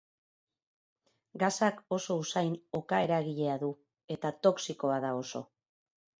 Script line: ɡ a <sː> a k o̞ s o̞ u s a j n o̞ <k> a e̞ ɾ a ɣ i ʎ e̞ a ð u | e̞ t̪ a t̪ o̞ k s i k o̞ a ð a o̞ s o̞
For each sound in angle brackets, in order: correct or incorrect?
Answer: incorrect, correct

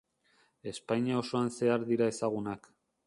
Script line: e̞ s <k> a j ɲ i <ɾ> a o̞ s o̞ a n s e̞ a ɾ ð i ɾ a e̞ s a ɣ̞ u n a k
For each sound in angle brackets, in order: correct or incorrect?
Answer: incorrect, incorrect

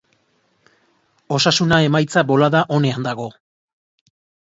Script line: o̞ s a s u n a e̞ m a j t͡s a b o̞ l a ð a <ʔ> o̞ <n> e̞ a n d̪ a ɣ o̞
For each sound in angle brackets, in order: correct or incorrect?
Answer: correct, correct

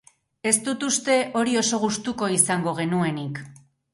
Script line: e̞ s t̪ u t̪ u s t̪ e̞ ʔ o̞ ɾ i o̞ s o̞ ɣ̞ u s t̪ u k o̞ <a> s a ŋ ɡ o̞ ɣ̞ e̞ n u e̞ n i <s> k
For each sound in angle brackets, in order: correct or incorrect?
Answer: incorrect, incorrect

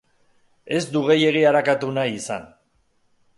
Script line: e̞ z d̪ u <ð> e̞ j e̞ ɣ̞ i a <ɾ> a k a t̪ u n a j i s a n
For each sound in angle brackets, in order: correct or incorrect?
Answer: incorrect, correct

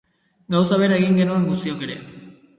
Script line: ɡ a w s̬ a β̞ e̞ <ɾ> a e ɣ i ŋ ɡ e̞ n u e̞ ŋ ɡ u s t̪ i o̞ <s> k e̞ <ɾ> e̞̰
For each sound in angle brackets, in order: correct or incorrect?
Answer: correct, incorrect, correct

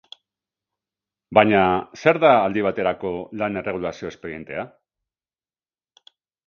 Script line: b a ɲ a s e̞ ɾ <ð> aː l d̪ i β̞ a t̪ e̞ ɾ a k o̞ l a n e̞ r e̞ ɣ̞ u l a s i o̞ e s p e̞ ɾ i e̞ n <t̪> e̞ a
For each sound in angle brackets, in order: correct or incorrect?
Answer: correct, correct

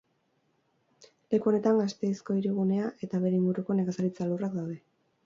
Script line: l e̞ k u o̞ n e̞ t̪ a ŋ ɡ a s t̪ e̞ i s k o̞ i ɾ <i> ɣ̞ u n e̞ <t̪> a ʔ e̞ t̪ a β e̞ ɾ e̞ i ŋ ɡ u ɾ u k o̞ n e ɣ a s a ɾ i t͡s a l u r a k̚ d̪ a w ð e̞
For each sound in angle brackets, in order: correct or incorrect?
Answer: correct, incorrect

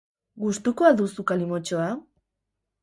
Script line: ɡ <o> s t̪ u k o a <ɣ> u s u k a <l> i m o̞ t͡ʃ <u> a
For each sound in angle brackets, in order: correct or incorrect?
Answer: incorrect, incorrect, correct, incorrect

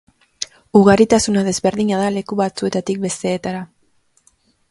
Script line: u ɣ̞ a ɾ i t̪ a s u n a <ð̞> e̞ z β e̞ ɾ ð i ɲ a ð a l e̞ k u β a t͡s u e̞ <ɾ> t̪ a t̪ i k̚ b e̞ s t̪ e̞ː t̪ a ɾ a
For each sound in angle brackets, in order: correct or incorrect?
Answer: correct, incorrect

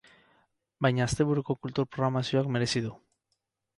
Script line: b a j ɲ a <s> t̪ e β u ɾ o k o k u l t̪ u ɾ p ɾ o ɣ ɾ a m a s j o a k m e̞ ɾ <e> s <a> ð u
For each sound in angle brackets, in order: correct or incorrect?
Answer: correct, correct, incorrect

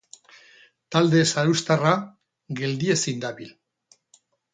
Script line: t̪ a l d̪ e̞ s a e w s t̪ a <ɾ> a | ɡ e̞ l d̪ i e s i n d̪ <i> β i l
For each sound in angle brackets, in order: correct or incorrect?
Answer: incorrect, incorrect

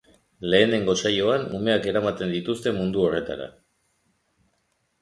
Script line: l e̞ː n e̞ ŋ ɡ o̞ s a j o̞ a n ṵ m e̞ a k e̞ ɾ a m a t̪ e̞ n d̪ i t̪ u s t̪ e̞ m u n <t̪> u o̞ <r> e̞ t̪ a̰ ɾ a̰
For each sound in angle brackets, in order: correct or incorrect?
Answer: incorrect, correct

